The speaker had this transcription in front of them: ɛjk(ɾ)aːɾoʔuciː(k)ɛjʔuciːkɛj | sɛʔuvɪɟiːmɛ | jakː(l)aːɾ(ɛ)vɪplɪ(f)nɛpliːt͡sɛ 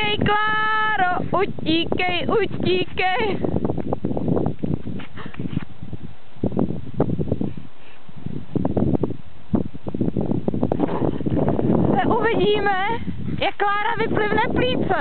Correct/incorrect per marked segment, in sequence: incorrect: l, correct, correct, incorrect: a, incorrect: v

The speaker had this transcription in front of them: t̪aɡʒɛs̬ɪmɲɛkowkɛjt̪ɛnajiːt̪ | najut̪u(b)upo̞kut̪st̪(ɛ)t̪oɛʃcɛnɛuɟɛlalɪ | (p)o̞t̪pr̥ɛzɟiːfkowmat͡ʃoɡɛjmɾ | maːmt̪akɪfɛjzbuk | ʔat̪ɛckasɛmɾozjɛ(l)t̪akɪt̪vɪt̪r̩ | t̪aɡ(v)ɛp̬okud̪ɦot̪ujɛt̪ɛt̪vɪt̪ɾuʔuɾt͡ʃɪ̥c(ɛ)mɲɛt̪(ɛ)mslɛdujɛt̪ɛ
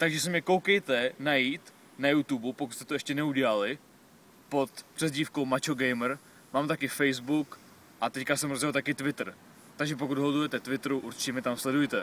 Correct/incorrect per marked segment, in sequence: correct, correct, correct, correct, incorrect: ʒ, correct, incorrect: a

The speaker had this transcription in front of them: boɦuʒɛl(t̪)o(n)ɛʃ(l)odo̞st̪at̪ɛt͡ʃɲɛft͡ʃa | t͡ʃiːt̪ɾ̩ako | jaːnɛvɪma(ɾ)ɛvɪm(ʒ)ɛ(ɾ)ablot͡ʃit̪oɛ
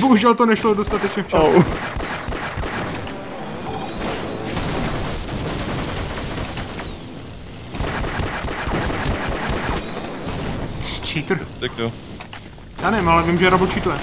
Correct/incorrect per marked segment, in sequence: correct, correct, correct, incorrect: l, correct, correct

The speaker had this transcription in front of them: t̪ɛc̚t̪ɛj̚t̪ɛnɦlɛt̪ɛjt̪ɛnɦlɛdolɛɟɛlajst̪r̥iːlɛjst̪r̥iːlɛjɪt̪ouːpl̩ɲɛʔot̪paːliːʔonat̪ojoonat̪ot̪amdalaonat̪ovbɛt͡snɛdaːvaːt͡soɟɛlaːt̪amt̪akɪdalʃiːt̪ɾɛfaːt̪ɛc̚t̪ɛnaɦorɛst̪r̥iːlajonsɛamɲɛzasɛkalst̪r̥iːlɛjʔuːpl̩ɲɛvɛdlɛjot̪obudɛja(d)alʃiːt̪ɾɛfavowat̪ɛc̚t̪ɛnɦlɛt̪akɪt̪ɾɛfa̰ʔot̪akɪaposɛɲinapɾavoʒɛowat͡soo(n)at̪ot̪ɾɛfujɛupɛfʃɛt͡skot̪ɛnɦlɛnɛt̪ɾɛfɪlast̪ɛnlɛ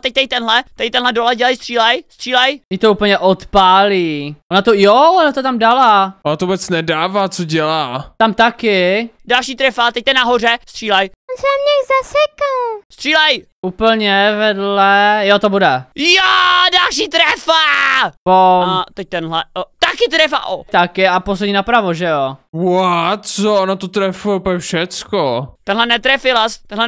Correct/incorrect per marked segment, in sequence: correct, correct

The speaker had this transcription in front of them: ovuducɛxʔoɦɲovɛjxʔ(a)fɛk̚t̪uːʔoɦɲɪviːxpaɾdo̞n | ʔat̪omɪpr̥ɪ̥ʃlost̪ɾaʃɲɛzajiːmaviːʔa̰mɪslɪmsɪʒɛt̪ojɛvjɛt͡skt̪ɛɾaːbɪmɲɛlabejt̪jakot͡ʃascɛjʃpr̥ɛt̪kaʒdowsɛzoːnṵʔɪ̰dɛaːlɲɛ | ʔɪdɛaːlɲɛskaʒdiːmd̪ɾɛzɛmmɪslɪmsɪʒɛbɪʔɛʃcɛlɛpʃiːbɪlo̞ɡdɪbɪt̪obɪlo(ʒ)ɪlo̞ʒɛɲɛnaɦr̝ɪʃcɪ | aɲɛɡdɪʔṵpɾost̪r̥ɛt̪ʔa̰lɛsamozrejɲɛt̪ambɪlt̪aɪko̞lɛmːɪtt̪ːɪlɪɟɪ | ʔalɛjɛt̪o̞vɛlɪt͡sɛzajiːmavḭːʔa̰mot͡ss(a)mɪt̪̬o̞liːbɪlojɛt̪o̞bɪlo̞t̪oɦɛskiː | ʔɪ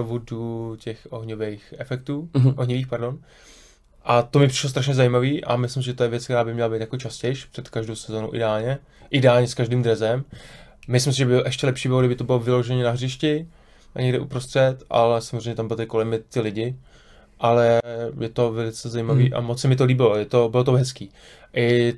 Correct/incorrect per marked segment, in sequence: incorrect: ɛ, incorrect: v, incorrect: ɛ

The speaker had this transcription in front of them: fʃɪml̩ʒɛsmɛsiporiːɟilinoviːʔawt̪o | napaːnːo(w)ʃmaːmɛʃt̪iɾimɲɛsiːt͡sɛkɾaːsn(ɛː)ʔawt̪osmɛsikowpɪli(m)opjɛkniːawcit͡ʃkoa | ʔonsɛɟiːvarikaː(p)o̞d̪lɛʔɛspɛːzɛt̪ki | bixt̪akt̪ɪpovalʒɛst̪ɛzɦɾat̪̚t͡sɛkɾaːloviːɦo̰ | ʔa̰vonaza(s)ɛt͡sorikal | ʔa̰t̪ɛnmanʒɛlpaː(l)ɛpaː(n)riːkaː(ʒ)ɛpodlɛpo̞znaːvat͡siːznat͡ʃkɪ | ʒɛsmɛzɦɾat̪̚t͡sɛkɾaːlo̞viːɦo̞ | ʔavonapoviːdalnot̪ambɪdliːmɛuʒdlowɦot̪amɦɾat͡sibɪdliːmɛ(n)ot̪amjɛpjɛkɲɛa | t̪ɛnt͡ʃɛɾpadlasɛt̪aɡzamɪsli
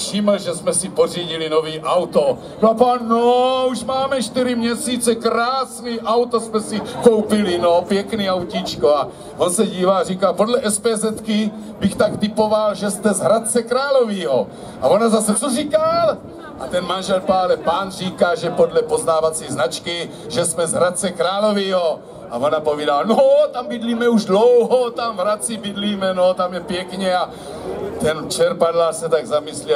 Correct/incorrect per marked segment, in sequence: incorrect: u, incorrect: iː, incorrect: n, correct, correct, correct, correct, correct, correct

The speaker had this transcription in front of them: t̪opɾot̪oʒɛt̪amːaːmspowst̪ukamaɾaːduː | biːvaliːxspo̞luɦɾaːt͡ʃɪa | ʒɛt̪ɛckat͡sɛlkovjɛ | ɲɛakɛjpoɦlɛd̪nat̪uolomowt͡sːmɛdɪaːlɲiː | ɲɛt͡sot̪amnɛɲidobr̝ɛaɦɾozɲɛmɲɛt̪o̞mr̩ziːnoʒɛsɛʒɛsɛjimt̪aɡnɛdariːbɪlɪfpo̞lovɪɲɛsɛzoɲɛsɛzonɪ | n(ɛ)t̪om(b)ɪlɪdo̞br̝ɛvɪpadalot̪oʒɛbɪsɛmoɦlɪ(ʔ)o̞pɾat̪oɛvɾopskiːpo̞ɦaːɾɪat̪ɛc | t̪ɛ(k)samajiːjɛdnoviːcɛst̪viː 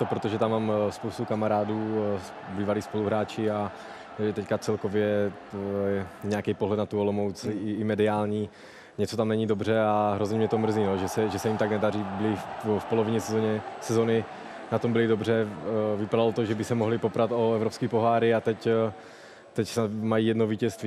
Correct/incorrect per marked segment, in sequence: incorrect: a, correct, incorrect: p, incorrect: c

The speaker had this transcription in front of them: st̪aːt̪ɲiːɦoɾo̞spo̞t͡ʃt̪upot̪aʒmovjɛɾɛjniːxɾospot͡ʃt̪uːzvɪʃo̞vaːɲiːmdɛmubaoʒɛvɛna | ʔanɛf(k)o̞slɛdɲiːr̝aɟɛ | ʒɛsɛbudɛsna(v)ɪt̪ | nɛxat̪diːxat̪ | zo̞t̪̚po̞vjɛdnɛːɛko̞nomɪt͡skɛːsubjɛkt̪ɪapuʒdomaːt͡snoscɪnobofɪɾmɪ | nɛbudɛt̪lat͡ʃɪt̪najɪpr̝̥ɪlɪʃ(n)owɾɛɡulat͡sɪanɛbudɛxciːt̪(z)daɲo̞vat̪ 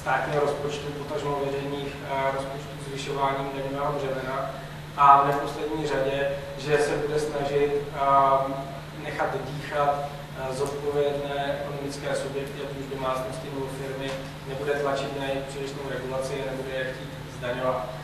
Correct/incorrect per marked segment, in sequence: incorrect: p, incorrect: ʒ, correct, correct

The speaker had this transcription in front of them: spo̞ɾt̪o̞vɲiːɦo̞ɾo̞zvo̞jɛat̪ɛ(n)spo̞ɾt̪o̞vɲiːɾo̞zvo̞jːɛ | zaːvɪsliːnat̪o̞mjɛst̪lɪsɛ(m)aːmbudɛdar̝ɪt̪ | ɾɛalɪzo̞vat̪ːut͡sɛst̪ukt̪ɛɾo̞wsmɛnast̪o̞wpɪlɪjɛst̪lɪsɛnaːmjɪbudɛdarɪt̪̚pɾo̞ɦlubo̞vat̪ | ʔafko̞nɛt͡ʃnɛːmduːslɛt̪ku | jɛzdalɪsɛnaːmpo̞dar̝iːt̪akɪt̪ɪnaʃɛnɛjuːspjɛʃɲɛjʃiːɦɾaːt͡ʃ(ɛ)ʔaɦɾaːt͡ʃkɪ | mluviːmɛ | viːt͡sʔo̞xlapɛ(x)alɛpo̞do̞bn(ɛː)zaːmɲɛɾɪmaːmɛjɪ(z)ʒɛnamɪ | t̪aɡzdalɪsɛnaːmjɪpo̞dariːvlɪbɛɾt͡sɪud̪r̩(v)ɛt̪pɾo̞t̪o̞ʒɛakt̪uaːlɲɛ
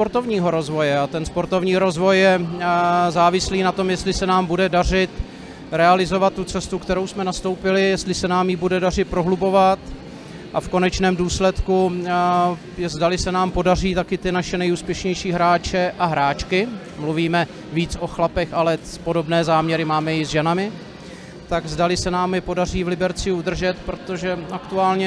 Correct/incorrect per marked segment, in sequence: correct, incorrect: n, correct, correct, correct, correct, incorrect: ʒ

